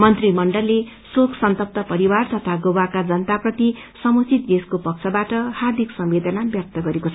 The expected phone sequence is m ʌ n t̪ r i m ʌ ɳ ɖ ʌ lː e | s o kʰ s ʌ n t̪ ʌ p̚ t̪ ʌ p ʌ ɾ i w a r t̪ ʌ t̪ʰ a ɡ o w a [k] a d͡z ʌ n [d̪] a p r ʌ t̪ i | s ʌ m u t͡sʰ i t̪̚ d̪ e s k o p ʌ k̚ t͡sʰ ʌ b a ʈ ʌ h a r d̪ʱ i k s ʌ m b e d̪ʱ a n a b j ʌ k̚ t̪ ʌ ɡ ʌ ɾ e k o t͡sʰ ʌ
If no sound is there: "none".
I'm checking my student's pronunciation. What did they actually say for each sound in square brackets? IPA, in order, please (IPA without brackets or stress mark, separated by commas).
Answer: k, t̪